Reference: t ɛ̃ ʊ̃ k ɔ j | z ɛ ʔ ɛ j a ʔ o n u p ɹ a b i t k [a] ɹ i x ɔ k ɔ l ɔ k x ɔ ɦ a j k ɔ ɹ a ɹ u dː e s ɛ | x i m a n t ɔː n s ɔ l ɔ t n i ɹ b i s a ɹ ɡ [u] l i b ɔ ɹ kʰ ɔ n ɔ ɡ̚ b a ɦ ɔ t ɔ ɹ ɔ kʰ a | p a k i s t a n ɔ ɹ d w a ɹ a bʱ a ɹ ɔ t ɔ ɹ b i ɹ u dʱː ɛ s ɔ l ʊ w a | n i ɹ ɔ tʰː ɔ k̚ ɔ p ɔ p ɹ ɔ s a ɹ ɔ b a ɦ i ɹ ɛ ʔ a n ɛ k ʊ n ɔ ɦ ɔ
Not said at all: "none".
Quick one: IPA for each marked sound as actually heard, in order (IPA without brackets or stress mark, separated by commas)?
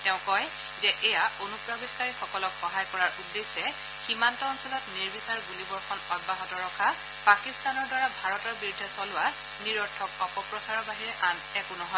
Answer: a, u